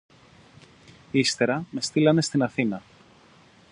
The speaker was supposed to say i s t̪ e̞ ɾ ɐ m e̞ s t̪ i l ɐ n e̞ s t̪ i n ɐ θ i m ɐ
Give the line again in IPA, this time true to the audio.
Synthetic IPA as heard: i s t̪ e̞ ɾ ɐ m e̞ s t̪ i l ɐ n e̞ s t̪ i n ɐ θ i n ɐ